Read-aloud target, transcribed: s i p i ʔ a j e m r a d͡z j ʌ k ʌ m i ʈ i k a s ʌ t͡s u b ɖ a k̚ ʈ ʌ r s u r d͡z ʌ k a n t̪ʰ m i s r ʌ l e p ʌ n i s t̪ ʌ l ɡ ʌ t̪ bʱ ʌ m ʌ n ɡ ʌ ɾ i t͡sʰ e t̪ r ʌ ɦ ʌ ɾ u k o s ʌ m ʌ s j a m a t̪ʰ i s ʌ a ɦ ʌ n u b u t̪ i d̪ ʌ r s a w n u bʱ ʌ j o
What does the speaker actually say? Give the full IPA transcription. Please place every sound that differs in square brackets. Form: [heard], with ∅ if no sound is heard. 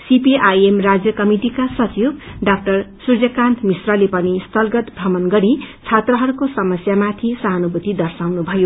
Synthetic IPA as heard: s i p i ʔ a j e m r a d͡z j ʌ k ʌ m i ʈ i k a s ʌ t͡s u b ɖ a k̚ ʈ ʌ r s u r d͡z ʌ k a n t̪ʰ m i s r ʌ l e p ʌ n i s t̪ ʌ l ɡ ʌ t̪ bʱ ʌ m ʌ n ɡ ʌ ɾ i t͡sʰ [a] t̪ r ʌ ɦ ʌ ɾ u k o s ʌ m ʌ s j a m a t̪ʰ i s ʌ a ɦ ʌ n u b u t̪ i d̪ ʌ r s a w n u bʱ ʌ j o